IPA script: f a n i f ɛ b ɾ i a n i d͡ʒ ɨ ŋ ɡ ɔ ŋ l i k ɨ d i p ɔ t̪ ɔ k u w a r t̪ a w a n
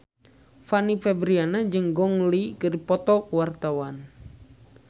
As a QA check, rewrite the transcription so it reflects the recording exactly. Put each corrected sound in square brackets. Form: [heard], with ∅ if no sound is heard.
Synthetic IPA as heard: f a n i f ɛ b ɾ i a n [a] d͡ʒ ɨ ŋ ɡ ɔ ŋ l i k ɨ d i p ɔ t̪ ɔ k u w a r t̪ a w a n